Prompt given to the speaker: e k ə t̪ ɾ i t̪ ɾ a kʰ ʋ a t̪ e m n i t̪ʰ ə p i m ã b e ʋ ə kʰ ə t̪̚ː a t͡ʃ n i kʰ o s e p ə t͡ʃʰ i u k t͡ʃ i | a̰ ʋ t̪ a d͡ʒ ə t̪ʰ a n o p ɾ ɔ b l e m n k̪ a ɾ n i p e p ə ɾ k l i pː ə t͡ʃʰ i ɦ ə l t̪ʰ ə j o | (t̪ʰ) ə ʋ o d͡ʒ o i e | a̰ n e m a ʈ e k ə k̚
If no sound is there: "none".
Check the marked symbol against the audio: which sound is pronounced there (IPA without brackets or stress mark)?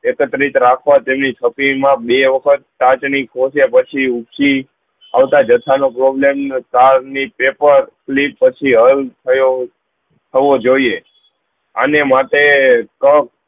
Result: t̪ʰ